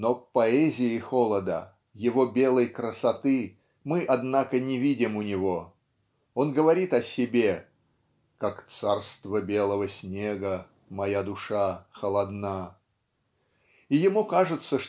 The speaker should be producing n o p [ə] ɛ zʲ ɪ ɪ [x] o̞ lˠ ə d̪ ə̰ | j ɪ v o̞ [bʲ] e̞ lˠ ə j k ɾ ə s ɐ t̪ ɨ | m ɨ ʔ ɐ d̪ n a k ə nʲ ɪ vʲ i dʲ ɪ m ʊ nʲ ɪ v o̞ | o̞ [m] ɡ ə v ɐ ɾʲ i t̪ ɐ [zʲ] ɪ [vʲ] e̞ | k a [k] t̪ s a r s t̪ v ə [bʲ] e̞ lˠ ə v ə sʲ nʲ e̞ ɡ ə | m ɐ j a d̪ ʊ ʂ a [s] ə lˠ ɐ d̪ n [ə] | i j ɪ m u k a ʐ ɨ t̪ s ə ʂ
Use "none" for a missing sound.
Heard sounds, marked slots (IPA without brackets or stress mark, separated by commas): ɐ, x, bʲ, n, sʲ, bʲ, k, bʲ, x, a